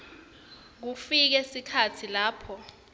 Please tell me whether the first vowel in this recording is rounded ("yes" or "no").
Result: yes